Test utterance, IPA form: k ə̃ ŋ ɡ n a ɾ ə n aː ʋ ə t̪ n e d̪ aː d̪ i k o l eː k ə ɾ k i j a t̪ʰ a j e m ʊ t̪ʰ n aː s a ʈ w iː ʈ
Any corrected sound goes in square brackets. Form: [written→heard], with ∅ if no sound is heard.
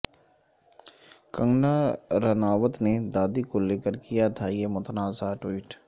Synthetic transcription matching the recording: k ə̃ ŋ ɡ n a ɾ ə n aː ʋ ə t̪ n e d̪ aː d̪ i k o l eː k ə ɾ k i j a t̪ʰ a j e m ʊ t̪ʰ n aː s a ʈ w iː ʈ

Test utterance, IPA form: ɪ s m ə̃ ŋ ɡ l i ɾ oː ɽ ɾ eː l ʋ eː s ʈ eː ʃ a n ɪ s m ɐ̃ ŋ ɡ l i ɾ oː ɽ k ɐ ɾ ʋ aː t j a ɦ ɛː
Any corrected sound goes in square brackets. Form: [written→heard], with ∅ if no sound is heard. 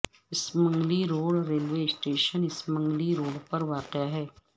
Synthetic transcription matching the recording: ɪ s m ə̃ ŋ ɡ l i ɾ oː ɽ ɾ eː l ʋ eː s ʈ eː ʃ [a→ə] n ɪ s m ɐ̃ ŋ ɡ l i ɾ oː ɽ [k→p] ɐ ɾ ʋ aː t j a ɦ ɛː

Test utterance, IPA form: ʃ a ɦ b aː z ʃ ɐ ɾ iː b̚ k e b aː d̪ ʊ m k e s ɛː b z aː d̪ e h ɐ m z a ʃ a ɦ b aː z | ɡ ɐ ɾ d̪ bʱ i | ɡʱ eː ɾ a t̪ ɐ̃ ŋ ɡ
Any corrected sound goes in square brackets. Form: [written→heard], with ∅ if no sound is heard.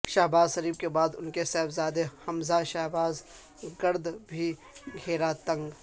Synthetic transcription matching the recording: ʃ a ɦ b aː z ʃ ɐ ɾ iː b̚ k e b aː d̪ ʊ [m→n] k e s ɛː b z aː d̪ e h ɐ m z a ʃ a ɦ b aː z | ɡ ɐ ɾ d̪ bʱ i | ɡʱ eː ɾ a t̪ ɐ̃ ŋ ɡ

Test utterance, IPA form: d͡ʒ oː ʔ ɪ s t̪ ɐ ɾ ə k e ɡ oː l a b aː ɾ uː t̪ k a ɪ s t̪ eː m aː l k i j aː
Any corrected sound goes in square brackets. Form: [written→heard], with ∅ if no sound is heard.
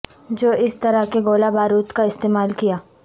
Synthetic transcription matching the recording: d͡ʒ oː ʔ ɪ s t̪ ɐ ɾ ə k e ɡ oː l a b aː ɾ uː t̪ k a ɪ s t̪ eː m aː l k i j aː

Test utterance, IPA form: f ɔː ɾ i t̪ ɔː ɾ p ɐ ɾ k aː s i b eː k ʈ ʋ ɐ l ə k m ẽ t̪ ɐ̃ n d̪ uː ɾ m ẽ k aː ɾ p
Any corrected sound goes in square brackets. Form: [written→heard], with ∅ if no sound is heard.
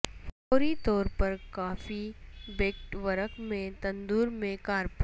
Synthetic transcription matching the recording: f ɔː ɾ i t̪ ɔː ɾ p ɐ ɾ k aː [s→f] i b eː k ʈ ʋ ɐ [l→ɾ] ə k m ẽ t̪ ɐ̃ n d̪ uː ɾ m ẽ k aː ɾ p

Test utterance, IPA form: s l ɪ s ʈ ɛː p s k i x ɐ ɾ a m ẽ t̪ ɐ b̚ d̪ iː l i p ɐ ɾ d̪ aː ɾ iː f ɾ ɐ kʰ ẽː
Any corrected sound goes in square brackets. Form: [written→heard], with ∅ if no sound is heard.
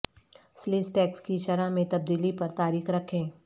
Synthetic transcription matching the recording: s l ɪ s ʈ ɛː [p→k] s k i [x→ʃ] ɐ ɾ a m ẽ t̪ ɐ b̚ d̪ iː l i p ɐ ɾ [d̪→t̪] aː ɾ iː [f→x] ɾ ɐ kʰ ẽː

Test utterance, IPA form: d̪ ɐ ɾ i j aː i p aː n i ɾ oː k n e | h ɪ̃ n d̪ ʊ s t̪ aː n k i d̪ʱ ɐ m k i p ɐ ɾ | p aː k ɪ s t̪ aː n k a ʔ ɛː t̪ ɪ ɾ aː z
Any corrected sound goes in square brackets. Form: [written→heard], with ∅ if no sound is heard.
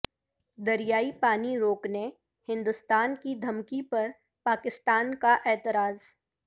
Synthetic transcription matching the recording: d̪ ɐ ɾ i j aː i p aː n i ɾ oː k n e | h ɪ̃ n d̪ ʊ s t̪ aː n k i d̪ʱ ɐ m k i p ɐ ɾ | p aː k ɪ s t̪ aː n k a ʔ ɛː t̪ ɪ ɾ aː z

